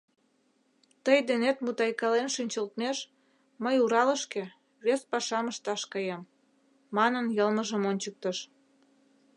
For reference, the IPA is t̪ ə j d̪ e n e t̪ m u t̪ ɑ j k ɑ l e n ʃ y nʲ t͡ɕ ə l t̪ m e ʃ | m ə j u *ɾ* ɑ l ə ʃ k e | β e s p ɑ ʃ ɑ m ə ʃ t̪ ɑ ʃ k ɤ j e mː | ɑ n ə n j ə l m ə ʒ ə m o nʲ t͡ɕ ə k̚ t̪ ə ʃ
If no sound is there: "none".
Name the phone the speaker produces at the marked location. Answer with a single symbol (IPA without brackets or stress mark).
ɾ